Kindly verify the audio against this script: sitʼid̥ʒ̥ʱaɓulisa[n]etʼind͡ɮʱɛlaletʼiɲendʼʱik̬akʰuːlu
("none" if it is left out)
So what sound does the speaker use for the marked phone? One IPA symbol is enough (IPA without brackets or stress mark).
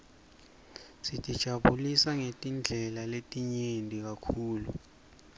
ŋ